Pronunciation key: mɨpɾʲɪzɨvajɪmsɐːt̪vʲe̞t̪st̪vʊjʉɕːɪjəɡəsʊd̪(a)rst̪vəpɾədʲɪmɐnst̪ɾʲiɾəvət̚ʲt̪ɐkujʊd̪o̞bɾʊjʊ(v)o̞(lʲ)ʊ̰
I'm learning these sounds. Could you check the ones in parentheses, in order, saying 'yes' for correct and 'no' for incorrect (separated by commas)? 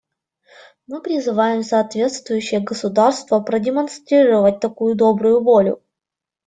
yes, yes, yes